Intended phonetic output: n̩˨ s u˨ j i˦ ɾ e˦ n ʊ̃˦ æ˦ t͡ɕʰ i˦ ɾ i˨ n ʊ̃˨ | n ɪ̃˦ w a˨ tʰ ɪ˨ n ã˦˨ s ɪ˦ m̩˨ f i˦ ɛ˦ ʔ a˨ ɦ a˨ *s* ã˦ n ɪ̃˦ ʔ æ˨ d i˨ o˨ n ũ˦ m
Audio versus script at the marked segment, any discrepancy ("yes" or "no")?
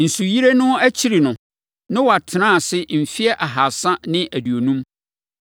no